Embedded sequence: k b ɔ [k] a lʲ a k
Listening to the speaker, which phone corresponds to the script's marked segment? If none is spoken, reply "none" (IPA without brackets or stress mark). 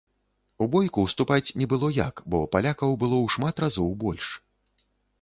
p